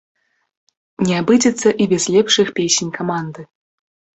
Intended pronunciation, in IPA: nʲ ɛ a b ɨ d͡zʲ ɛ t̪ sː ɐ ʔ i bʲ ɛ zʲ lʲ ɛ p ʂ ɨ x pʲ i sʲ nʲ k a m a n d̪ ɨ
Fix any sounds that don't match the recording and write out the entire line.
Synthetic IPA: nʲ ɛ a b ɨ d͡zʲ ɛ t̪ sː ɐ ʔ i bʲ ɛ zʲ lʲ ɛ p ʂ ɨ x pʲ e sʲ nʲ k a m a n d̪ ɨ

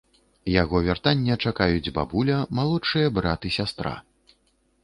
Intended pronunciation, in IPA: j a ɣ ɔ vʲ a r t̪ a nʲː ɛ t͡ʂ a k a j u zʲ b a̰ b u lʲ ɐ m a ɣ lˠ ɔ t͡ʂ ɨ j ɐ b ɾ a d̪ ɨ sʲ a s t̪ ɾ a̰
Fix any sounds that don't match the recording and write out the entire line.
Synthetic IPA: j a ɣ ɔ vʲ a r t̪ a nʲː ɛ t͡ʂ a k a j u d͡zʲ b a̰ b u lʲ ɐ m a lˠ ɔ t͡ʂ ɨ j ɐ b ɾ a t̪ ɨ sʲ a s t̪ ɾ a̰

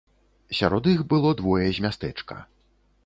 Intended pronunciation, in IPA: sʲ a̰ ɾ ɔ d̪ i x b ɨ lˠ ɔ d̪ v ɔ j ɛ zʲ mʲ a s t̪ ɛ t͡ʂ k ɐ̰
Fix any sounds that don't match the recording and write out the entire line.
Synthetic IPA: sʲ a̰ ɾ ɔ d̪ i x b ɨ lˠ ɔ d̪ v ɔ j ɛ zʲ mʲ a s t̪ ɛ t͡ʂ k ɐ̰

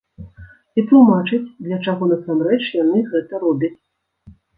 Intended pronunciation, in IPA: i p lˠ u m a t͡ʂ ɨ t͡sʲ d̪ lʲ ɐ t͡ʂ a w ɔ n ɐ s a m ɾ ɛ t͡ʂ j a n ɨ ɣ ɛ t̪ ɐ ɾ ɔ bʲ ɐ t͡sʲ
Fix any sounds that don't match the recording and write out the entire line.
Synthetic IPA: i p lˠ u m a t͡ʂ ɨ t͡sʲ d̪ lʲ ɐ t͡ʂ a ɣ ɔ n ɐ s a m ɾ ɛ t͡ʂ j a n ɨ ɣ ɛ t̪ ɐ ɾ ɔ bʲ ɐ t͡sʲ

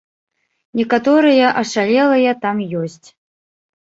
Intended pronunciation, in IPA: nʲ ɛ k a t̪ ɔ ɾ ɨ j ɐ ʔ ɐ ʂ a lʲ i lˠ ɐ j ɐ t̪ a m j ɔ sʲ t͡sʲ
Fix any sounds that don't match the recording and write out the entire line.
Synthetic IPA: nʲ ɛ k a t̪ ɔ ɾ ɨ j ɐ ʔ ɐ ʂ a lʲ ɛ lˠ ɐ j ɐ t̪ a m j ɔ sʲ t͡sʲ

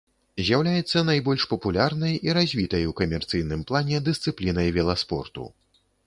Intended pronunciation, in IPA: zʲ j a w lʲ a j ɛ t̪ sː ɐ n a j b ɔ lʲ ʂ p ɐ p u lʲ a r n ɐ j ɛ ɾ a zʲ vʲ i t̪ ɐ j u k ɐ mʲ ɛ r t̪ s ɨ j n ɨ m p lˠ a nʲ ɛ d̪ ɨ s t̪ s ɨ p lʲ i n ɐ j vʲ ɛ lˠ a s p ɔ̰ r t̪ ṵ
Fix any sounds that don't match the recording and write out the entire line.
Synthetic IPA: zʲ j a w lʲ a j ɛ t̪ sː ɐ n a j b ɔ lʲ ʂ p ɐ p u lʲ a r n ɐ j i ɾ a zʲ vʲ i t̪ ɐ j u k ɐ mʲ ɛ r t̪ s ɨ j n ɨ m p lˠ a nʲ ɛ d̪ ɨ s t̪ s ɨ p lʲ i n ɐ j vʲ ɛ lˠ a s p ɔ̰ r t̪ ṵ

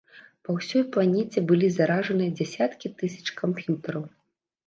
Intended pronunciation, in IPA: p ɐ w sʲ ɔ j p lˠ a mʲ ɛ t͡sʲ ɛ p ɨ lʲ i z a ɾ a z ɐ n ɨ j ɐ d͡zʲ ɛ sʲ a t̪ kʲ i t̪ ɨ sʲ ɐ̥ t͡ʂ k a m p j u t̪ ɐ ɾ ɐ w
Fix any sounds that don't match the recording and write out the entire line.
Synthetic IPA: p ɐ w sʲ ɔ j p lˠ a nʲ ɛ t͡sʲ ɛ b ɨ lʲ i z a ɾ a ʐ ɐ n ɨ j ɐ d͡zʲ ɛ sʲ a t̪ kʲ i t̪ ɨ sʲ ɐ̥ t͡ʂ k a m p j u t̪ ɐ ɾ ɐ w

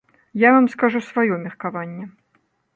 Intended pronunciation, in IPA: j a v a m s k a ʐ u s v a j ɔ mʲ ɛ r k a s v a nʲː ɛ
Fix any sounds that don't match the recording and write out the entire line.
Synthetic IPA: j a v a m s k a ʐ u s v a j ɔ mʲ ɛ r k a v a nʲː ɛ

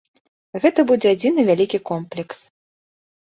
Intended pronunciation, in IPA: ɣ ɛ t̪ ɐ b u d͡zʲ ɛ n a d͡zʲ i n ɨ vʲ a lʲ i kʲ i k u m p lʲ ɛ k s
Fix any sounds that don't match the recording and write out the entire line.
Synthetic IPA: ɣ ɛ t̪ ɐ b u d͡zʲ ɛ a d͡zʲ i n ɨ vʲ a lʲ i kʲ i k ɔ m p lʲ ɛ k s

